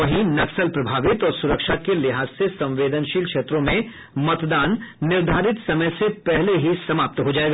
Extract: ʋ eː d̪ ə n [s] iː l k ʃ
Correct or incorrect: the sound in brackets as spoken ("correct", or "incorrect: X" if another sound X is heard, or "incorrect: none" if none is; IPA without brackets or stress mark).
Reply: incorrect: ʃ